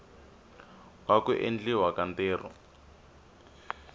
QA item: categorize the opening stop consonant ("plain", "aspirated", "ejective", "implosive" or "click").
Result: plain